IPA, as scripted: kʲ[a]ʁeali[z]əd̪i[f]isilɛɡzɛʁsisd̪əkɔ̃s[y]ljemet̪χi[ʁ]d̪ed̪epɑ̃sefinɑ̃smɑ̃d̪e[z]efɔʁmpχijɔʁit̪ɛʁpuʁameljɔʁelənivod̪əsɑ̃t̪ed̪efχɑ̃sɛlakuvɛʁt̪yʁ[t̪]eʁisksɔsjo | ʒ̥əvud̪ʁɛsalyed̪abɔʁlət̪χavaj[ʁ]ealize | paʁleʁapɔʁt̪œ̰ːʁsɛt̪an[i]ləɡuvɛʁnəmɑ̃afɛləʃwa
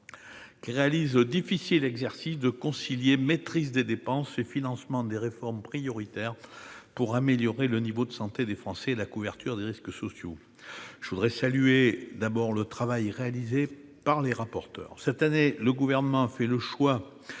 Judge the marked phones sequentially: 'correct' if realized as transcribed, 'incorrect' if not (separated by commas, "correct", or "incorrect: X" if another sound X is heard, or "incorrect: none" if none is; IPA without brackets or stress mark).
incorrect: i, correct, correct, incorrect: i, incorrect: z, incorrect: ʁ, incorrect: d̪, correct, incorrect: e